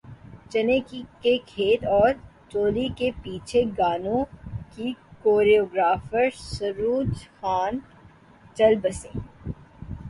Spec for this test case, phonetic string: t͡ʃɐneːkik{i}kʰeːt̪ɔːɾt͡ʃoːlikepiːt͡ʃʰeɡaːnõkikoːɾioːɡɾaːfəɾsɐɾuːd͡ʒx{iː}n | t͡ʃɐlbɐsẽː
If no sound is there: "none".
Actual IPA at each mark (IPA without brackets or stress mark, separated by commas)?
e, aː